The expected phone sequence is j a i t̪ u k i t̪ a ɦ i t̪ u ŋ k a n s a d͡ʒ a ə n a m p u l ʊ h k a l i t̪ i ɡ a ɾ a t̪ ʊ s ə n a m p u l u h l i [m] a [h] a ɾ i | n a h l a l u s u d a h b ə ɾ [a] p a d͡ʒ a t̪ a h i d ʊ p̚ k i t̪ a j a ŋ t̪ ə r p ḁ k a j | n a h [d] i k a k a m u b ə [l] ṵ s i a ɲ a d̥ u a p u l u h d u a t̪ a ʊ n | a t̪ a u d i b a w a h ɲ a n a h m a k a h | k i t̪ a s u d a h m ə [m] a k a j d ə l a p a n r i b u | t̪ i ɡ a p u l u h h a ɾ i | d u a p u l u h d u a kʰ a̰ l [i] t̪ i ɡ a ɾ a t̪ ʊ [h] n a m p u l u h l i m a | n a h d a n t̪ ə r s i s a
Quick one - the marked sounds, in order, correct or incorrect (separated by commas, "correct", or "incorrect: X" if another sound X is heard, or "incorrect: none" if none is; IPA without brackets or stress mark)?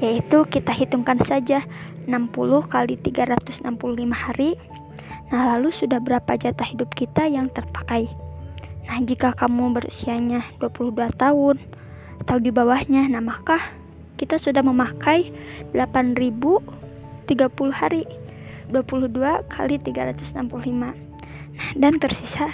correct, correct, correct, incorrect: d͡ʒ, incorrect: ɾ, correct, correct, incorrect: s